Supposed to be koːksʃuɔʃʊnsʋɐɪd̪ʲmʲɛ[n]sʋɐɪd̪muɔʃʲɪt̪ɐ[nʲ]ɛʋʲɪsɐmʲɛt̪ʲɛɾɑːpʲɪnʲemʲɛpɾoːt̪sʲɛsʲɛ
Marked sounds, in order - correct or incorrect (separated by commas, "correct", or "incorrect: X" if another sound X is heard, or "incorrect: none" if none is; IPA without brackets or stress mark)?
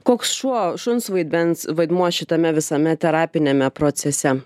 correct, incorrect: mʲ